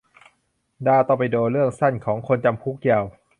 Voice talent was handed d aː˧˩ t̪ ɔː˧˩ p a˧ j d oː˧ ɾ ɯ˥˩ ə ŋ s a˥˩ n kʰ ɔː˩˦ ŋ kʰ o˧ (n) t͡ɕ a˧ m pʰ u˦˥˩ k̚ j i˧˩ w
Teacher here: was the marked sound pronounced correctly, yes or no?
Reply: yes